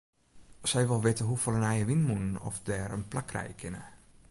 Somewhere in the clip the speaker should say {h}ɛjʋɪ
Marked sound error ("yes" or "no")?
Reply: yes